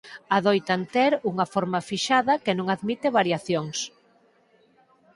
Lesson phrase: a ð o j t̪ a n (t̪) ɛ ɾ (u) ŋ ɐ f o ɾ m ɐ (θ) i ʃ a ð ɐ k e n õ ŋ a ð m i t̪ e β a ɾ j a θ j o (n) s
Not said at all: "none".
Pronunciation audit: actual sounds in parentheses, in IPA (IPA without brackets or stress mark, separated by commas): t̪, u, f, ŋ